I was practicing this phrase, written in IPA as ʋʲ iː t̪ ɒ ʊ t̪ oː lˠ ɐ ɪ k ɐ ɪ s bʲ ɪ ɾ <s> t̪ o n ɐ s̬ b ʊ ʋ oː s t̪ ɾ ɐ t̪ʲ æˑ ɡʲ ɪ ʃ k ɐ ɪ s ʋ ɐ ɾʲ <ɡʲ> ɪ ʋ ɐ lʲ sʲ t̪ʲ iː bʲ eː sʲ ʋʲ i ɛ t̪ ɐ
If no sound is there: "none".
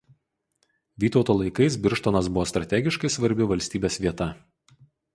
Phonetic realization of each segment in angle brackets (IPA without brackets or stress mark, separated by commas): ʃ, bʲ